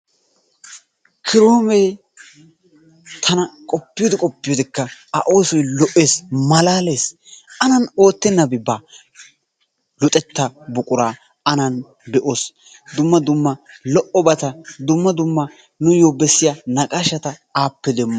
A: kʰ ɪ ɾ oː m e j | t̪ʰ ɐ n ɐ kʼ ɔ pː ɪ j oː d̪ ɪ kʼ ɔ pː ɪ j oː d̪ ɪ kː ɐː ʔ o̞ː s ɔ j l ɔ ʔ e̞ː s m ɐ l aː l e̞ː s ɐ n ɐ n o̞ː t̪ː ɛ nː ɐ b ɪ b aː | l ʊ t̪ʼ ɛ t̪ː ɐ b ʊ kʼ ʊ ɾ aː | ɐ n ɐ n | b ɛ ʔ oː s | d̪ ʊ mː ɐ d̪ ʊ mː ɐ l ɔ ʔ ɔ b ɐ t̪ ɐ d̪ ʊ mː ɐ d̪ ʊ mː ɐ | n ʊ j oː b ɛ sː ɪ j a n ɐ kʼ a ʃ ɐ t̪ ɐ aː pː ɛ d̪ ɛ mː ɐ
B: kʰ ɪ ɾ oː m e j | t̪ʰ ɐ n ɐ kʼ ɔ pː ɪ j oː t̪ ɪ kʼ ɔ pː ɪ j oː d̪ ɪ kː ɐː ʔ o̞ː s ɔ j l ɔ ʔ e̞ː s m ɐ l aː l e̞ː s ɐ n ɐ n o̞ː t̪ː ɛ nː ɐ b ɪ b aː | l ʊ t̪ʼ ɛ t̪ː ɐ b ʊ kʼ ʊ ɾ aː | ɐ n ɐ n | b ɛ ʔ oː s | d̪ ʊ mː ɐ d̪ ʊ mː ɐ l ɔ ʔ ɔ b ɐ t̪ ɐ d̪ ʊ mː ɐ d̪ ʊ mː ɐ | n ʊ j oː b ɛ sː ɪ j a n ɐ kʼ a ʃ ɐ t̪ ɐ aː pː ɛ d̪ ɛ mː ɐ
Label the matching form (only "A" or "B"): A